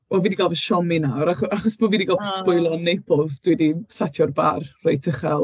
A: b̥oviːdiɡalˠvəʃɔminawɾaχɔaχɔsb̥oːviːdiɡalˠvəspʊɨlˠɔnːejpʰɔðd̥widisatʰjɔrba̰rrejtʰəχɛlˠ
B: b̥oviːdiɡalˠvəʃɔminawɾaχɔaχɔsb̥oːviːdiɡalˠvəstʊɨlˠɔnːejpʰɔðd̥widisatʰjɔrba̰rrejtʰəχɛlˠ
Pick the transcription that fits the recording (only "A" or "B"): A